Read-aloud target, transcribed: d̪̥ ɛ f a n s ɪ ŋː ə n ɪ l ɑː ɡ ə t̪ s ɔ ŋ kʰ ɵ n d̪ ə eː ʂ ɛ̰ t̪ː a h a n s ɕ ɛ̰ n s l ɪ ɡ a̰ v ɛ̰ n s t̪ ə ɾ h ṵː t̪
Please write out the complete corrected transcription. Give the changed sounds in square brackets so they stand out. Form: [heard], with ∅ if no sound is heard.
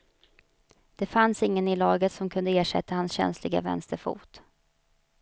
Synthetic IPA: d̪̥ ɛ f a n s ɪ ŋː ə n ɪ l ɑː ɡ ə t̪ s ɔ [m] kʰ ɵ n d̪ ə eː ʂ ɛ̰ t̪ː a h a n s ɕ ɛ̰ n s l ɪ ɡ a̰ v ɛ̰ n s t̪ ə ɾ [f] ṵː t̪